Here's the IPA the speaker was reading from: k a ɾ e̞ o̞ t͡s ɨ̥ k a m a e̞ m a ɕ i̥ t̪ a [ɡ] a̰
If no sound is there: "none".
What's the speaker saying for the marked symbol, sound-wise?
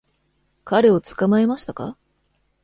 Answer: k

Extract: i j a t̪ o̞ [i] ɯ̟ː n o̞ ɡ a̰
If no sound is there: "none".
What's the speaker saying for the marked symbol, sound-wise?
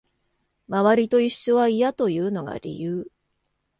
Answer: j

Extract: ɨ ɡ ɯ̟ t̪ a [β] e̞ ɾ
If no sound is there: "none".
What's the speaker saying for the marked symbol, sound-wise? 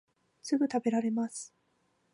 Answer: b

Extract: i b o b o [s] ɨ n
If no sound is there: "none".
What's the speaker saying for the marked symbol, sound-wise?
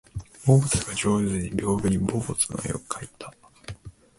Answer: t͡s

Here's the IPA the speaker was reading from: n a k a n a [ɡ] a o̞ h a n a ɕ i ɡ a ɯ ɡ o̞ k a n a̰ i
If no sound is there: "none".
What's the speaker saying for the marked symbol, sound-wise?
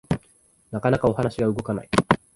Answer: k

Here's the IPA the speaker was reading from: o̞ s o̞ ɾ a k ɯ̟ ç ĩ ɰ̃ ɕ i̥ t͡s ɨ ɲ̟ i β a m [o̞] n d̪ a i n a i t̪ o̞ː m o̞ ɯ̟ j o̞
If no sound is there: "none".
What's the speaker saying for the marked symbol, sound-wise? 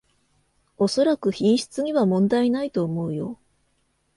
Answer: õ̞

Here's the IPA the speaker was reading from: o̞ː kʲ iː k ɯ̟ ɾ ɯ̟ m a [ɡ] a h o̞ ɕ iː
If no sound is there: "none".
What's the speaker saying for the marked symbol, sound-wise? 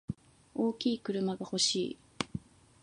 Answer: ɡ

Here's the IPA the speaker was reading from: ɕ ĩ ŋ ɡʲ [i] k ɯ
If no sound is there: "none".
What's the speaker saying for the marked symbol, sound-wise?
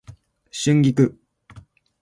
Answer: i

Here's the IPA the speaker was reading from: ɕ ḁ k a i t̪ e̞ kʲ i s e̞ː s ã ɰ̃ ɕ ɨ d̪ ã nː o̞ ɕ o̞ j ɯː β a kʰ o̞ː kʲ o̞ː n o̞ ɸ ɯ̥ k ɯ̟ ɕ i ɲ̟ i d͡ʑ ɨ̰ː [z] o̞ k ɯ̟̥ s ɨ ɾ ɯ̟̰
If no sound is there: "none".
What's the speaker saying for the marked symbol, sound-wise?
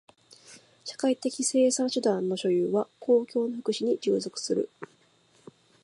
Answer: z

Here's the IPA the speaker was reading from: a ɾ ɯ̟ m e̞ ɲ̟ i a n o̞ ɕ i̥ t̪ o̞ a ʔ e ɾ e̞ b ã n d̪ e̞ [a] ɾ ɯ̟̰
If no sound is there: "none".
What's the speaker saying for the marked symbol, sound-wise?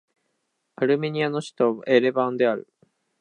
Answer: a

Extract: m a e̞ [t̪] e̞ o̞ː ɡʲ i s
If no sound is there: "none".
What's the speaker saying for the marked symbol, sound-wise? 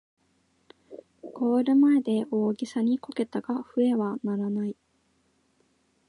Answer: d̪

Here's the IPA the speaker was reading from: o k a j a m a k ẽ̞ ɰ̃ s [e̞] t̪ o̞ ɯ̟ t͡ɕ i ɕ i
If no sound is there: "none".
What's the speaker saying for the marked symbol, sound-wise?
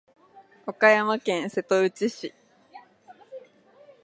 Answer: e̞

